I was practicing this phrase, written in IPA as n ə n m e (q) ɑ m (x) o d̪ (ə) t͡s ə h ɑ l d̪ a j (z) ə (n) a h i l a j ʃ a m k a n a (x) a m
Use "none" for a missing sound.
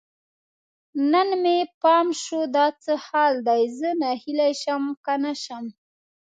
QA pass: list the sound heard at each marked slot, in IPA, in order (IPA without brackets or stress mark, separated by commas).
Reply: p, ʃ, ɑ, z, n, ʃ